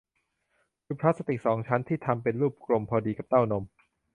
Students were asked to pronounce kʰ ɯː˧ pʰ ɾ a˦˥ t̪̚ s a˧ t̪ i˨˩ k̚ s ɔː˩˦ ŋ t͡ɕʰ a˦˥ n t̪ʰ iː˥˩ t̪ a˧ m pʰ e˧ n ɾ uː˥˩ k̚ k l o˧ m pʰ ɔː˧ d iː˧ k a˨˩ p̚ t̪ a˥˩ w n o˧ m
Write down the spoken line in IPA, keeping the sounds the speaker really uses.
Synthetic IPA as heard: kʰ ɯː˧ pʰ ɾ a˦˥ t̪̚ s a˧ t̪ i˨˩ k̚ s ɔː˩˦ ŋ t͡ɕʰ a˦˥ n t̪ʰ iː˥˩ t̪ʰ a˧ m p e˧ n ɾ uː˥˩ p̚ k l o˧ m pʰ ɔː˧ d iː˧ k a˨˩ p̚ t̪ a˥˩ w n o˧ m